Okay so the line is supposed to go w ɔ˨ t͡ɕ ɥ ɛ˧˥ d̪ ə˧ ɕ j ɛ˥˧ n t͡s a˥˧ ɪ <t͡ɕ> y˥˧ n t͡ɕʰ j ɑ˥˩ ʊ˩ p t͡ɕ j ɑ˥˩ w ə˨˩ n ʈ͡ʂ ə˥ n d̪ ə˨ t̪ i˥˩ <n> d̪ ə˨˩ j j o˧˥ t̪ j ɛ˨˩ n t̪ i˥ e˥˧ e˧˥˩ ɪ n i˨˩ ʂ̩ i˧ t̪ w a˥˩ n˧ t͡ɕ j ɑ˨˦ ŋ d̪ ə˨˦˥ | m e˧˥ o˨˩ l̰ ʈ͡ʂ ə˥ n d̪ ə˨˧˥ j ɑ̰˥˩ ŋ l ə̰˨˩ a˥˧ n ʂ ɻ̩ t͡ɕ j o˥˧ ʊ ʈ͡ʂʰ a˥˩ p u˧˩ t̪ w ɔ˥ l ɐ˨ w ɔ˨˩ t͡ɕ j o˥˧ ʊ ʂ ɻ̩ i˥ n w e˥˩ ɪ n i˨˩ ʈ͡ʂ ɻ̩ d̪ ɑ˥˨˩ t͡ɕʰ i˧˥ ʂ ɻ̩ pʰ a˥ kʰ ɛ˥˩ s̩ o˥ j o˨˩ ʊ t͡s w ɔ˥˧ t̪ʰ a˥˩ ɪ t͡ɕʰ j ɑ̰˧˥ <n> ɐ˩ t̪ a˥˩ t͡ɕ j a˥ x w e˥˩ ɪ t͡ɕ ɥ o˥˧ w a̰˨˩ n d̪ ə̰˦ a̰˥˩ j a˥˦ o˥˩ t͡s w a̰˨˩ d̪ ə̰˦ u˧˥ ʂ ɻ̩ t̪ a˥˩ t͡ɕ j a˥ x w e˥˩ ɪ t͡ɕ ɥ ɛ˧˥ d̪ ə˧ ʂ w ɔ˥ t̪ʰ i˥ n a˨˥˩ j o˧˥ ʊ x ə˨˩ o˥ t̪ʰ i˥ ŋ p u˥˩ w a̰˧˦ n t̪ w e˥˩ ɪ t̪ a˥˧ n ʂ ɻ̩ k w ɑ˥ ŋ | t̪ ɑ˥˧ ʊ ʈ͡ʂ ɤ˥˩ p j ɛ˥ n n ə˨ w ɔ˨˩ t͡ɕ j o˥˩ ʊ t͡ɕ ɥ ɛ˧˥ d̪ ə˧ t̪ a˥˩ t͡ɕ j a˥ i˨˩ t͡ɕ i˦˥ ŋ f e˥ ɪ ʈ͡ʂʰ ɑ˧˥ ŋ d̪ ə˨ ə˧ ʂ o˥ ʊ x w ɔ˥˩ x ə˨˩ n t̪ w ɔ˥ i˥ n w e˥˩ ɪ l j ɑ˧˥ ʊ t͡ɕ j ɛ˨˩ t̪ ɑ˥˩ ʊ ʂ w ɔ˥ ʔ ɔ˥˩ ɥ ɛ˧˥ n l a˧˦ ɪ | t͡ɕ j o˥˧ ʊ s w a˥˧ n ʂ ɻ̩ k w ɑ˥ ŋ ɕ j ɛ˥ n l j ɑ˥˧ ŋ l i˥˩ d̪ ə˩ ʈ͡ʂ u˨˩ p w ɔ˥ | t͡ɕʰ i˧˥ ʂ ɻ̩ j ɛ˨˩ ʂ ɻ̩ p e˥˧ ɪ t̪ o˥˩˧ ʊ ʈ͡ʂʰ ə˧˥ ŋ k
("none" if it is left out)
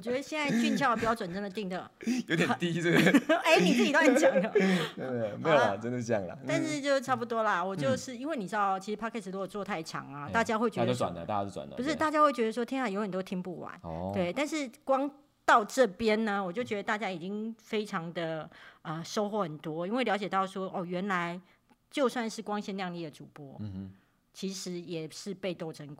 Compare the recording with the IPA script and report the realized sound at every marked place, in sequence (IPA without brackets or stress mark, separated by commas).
t͡ɕ, ŋ, ŋ